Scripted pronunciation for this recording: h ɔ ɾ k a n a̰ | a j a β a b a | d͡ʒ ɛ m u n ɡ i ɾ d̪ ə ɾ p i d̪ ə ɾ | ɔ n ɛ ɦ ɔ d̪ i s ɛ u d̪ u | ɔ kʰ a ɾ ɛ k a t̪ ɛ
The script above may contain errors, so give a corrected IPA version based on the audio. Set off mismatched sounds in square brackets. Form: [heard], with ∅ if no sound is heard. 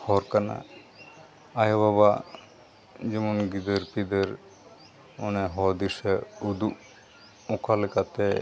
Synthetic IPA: h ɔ ɾ k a n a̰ | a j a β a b a | d͡ʒ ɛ m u n ɡ i [∅] d̪ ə ɾ p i d̪ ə ɾ | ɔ n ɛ ɦ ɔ d̪ i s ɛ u d̪ u | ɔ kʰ a [l] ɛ k a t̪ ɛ